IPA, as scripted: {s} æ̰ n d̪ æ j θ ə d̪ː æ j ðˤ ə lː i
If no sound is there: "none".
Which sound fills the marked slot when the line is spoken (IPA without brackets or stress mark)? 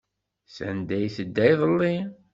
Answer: s